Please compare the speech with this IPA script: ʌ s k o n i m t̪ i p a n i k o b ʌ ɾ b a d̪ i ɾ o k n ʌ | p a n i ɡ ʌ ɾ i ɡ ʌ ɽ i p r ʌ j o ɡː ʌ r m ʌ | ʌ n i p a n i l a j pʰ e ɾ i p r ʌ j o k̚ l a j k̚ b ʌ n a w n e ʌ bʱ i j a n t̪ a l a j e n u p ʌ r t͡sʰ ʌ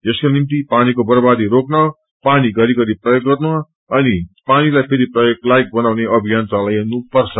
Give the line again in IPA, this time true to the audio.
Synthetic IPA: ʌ s k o n i m t̪ i p a n i k o b ʌ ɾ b a d̪ i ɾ o k n ʌ | p a n i ɡ ʌ ɾ i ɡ ʌ ɾ i p r ʌ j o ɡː ʌ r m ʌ | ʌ n i p a n i l a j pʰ e ɾ i p r ʌ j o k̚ l a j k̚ b ʌ n a w n e ʌ bʱ i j a n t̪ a l a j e n u p ʌ r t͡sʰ ʌ